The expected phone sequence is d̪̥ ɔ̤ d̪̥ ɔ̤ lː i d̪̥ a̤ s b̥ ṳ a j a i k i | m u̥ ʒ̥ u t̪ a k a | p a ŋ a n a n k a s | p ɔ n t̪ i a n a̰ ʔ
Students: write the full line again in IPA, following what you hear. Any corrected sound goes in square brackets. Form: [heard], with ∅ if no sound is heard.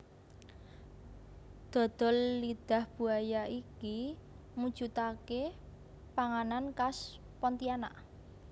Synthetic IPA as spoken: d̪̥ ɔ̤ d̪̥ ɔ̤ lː i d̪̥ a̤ [h] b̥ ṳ a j a i k i | m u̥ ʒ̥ u t̪ a k [e] | p a ŋ a n a n k a s | p ɔ n t̪ i a n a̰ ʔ